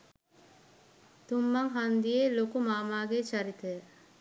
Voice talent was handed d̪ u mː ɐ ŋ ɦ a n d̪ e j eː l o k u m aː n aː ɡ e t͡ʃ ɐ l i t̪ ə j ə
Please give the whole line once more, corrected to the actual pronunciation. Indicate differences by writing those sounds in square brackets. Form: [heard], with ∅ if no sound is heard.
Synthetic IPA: [t̪] u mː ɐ ŋ ɦ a n d̪ [i] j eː l o k u m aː [m] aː ɡ e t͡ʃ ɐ [ɾ] i t̪ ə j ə